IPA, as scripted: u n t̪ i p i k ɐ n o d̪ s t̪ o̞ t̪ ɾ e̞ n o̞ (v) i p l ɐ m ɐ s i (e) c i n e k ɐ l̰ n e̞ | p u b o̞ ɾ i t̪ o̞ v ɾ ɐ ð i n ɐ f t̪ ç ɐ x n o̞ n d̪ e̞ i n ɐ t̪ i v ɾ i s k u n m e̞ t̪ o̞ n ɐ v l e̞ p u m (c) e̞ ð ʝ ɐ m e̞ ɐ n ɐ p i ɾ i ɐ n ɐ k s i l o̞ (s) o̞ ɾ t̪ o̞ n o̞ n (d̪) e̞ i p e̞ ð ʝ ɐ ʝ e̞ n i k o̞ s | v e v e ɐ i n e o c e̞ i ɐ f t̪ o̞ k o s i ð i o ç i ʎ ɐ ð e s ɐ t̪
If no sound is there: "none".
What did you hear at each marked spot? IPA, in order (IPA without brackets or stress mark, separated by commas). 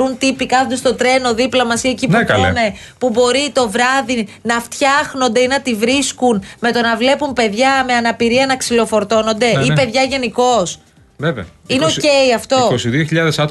ð, e, p, f, d̪